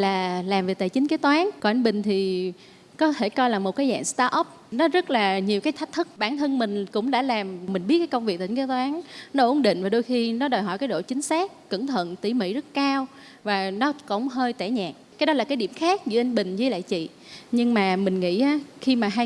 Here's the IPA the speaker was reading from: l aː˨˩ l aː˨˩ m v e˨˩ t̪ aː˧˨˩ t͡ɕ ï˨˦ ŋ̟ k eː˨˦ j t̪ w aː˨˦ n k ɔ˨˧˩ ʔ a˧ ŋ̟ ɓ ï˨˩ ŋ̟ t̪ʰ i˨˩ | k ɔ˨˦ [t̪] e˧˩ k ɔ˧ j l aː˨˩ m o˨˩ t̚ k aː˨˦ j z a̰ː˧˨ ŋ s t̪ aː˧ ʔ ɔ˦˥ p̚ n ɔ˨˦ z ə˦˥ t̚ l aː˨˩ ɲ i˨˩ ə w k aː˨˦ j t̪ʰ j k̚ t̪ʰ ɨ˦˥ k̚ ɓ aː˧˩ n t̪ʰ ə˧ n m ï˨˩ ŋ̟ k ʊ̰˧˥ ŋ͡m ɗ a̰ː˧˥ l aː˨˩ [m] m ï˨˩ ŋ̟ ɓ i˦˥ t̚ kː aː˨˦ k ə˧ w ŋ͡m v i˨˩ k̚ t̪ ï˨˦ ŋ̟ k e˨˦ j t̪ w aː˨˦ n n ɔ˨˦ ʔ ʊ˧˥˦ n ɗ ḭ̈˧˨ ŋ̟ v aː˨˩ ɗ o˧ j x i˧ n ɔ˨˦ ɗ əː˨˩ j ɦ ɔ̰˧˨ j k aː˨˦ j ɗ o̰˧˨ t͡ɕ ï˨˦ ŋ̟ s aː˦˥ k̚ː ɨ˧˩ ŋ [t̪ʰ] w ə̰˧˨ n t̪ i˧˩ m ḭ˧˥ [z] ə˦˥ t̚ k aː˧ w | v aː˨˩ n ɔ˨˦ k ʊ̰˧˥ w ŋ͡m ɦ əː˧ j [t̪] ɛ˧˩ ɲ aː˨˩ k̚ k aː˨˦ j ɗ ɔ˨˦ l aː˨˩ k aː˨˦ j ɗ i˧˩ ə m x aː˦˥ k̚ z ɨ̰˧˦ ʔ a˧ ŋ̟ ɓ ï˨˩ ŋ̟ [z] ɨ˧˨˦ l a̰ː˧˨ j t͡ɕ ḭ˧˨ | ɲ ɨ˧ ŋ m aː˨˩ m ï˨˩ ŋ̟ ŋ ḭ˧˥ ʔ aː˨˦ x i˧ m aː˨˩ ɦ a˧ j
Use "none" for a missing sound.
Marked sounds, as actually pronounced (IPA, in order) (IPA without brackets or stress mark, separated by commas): t̪ʰ, m, t̪ʰ, z, t̪, z